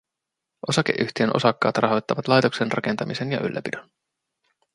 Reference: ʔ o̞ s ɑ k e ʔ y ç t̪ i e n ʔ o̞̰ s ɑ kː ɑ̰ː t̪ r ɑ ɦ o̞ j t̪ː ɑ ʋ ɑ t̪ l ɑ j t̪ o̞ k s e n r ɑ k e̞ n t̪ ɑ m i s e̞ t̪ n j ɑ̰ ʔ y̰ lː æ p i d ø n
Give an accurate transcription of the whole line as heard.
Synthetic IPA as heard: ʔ o̞ s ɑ k e ʔ y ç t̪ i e n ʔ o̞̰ s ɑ kː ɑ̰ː t̪ r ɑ ɦ o̞ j t̪ː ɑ ʋ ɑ t̪ l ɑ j t̪ o̞ k s e n r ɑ k e̞ n t̪ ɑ m i s e̞ n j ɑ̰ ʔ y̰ lː æ p i d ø n